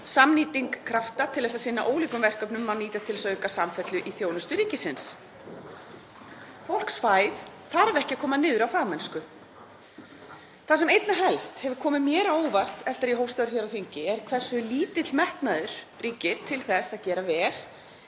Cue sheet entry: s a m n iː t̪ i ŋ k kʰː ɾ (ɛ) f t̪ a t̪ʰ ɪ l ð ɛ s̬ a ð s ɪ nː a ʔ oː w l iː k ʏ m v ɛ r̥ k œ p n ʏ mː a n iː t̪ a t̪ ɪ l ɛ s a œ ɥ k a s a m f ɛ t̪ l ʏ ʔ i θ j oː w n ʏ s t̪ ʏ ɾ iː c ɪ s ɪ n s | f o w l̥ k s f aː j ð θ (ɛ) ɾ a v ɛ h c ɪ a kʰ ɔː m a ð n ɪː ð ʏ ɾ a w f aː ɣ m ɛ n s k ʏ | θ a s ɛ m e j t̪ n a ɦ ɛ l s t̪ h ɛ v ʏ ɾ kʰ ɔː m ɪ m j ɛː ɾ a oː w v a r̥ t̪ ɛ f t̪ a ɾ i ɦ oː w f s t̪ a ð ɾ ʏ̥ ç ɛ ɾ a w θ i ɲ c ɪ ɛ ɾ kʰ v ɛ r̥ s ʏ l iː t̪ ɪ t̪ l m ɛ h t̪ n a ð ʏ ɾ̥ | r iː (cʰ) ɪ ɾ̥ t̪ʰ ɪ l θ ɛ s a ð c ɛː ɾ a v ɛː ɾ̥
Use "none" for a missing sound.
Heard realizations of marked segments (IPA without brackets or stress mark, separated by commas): a, a, c